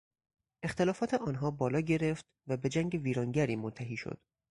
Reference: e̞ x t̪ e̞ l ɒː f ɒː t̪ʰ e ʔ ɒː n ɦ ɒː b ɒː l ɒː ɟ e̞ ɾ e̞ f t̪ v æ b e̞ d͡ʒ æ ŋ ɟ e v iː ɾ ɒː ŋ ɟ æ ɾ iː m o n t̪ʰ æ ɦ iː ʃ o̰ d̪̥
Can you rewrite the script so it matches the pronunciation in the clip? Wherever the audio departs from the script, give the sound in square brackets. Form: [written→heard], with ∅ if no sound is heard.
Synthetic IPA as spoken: e̞ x t̪ e̞ l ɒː f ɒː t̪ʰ e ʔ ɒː n ɦ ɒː b ɒː l ɒː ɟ e̞ ɾ e̞ f t̪ v æ b e̞ d͡ʒ æ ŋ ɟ e v iː ɾ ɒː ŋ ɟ æ ɾ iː m o n t̪ʰ æ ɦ iː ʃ o̰ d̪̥